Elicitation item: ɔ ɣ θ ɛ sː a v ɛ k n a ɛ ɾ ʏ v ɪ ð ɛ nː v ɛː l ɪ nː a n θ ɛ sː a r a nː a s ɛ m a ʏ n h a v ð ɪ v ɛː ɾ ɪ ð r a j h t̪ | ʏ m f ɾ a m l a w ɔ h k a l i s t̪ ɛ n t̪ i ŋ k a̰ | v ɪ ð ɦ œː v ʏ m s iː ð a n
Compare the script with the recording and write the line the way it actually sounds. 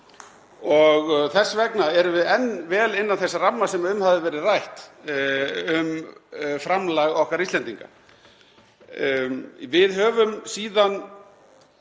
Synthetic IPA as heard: ɔ ɣ θ ɛ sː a v ɛ k n a ɛ ɾ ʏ v ɪ ð ɛ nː v ɛː l ɪ nː a n θ ɛ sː a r a mː a s ɛ m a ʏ m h a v ð ɪ v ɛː ɾ ɪ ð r a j h t̪ | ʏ m f ɾ a m l a ɣ ɔ h k a ɾ i s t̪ ɛ n t̪ i ŋ k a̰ | v ɪ ð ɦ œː v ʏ m s iː ð a n